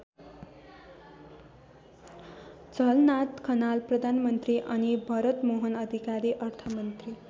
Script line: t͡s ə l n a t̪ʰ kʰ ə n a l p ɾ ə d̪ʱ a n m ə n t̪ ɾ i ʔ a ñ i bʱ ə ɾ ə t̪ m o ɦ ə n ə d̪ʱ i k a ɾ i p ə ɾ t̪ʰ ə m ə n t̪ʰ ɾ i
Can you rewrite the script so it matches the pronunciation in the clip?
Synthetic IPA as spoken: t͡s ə l n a t̪ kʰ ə n a l p ɾ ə d̪ʱ a n m ə n t̪ ɾ i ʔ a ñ i bʱ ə ɾ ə t̪ m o ɦ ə n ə d̪ʱ i k a ɾ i ʔ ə ɾ t̪ʰ ə m ə n t̪ ɾ i